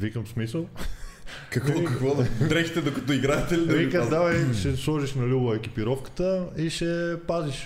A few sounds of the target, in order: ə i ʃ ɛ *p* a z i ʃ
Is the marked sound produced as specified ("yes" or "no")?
yes